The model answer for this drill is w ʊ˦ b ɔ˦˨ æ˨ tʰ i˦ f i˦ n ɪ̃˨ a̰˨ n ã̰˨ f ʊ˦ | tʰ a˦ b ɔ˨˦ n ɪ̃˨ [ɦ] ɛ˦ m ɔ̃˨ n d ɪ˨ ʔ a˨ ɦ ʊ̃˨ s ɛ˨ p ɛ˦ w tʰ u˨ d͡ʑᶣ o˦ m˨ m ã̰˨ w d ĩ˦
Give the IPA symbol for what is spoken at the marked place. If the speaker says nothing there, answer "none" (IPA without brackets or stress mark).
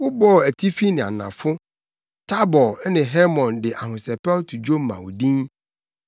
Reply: ɦ